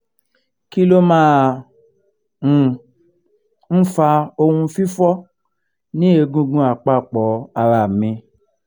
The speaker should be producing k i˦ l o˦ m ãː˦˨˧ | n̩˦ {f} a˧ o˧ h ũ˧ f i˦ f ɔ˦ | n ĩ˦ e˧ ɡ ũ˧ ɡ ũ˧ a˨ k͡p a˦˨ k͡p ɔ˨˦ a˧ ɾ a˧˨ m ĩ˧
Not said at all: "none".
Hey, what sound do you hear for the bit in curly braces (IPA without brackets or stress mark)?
f